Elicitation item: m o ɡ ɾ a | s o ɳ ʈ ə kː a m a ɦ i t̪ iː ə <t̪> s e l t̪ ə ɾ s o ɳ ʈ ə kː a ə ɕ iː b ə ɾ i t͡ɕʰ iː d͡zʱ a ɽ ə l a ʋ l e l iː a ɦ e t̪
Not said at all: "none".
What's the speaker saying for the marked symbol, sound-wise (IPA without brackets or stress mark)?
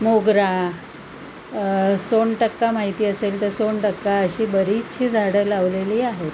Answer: none